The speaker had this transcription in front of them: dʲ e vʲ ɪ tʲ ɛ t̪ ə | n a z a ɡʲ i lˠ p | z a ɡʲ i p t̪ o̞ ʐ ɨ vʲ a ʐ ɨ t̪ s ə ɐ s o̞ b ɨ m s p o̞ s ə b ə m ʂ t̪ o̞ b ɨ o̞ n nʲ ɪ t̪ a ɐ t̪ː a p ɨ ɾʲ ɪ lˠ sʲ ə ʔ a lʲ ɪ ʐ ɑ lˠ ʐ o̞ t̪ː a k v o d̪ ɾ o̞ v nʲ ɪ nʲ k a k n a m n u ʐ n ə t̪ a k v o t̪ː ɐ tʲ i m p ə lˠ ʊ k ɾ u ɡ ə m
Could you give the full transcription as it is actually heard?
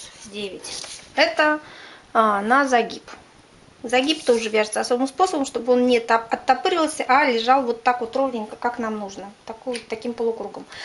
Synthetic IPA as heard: dʲ e vʲ ɪ tʲ ɛ t̪ ə | n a z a ɡʲ i p | z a ɡʲ i p t̪ o̞ ʐ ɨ vʲ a ʐ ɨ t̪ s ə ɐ s o̞ b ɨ m s p o̞ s ə b ə m ʂ t̪ o̞ b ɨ o̞ n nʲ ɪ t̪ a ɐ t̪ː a p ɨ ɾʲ ɪ lˠ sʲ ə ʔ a lʲ ɪ ʐ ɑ lˠ v o̞ t̪ː a k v o t̪ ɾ o̞ v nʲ ɪ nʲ k a k n a m n u ʐ n ə t̪ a k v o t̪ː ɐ kʲ i m p ə lˠ ʊ k ɾ u ɡ ə m